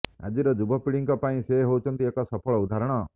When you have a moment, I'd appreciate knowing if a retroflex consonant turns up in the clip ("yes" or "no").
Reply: yes